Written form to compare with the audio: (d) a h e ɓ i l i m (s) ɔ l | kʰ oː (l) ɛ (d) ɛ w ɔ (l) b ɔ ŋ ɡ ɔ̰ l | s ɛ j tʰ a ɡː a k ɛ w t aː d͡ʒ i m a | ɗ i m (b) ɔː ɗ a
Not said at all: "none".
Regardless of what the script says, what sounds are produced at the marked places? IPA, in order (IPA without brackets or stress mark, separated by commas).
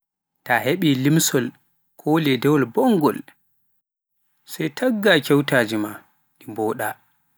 t, s, l, d, l, b